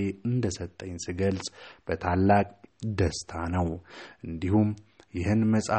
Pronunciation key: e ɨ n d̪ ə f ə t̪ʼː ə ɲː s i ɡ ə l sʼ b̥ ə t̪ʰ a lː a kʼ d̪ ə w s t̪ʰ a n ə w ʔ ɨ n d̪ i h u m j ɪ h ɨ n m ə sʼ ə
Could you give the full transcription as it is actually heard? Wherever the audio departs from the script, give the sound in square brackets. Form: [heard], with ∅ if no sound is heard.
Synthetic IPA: e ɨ n d̪ ə [s] ə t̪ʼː ə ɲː s i ɡ ə l sʼ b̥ ə t̪ʰ a lː a kʼ d̪ ə [∅] s t̪ʰ a n ə w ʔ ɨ n d̪ i h u m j ɪ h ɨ n m ə sʼ [a]